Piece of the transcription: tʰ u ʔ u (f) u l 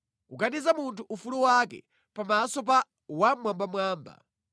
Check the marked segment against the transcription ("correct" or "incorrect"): correct